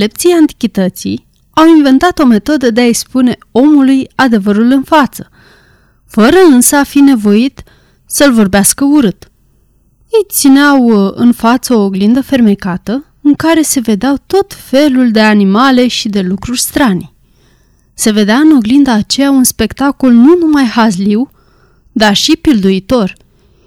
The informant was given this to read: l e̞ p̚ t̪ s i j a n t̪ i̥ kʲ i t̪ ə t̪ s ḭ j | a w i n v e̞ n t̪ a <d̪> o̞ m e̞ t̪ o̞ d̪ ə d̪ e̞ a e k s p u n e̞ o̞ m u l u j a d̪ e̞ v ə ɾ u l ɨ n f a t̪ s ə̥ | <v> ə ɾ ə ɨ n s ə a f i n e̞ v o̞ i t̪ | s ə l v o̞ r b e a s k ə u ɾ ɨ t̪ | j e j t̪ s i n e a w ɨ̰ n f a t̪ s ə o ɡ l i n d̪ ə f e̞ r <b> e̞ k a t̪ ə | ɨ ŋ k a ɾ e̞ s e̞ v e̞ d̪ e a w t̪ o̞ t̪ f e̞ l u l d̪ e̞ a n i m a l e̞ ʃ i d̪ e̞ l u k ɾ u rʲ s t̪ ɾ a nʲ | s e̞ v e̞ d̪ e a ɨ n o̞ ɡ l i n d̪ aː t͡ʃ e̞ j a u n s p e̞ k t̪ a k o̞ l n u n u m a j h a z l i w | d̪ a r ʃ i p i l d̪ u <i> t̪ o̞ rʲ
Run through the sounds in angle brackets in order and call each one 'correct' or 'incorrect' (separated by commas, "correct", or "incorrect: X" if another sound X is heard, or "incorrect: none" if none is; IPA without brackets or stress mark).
incorrect: t̪, incorrect: f, incorrect: m, correct